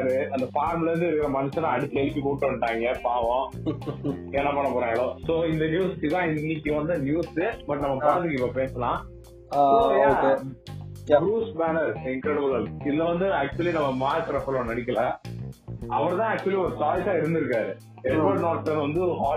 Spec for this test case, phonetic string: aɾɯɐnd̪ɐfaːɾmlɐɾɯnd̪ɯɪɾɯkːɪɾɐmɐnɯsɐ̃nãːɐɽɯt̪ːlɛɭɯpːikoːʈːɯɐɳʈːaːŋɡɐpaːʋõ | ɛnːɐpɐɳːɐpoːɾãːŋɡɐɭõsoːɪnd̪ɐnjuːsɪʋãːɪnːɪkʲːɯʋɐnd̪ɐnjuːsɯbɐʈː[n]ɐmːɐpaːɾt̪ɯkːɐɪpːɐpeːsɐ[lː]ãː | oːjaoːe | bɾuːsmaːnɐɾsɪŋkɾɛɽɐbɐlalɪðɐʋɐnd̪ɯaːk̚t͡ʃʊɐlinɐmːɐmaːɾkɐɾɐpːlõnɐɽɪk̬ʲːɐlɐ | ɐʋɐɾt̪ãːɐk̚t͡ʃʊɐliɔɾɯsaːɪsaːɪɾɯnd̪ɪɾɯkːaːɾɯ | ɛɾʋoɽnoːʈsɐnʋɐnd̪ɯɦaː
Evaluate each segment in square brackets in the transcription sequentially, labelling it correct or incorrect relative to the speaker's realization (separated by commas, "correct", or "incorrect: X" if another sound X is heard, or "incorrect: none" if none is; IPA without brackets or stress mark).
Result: correct, incorrect: l